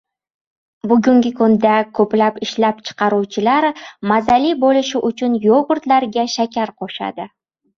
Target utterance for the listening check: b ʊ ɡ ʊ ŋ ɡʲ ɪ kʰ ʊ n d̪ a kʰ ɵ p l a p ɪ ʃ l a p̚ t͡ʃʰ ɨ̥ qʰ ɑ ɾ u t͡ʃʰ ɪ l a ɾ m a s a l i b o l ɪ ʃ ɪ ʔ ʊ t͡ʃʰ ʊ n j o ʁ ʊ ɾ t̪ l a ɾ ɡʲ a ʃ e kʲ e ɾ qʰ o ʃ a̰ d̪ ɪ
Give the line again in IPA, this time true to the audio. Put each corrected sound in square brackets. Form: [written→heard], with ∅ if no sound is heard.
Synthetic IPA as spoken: b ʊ ɡ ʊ ŋ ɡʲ ɪ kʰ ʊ n d̪ a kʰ ɵ p l a p ɪ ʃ l a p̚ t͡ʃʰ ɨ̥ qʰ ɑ ɾ u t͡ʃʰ ɪ l a ɾ m a [s→z] a l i b o l ɪ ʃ ɪ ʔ ʊ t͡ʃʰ ʊ n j o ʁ ʊ ɾ t̪ l a ɾ ɡʲ a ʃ [e→a] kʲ [e→a] ɾ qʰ o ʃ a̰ d̪ ɪ

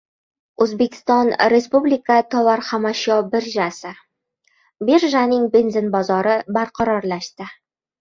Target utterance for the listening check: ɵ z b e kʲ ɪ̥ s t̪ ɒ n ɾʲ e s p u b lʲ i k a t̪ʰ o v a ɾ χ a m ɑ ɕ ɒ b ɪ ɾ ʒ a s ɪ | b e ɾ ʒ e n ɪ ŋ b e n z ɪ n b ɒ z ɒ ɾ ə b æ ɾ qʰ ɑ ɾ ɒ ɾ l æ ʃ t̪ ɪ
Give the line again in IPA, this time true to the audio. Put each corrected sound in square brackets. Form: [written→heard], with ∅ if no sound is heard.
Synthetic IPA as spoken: ɵ z b e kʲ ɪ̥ s t̪ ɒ n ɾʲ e s p u b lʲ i k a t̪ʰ [o→ɒ] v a ɾ χ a m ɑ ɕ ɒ b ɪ ɾ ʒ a s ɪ | b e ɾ ʒ [e→a] n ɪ ŋ b e n z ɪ n b ɒ z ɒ ɾ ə b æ ɾ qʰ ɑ ɾ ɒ ɾ l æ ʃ t̪ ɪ

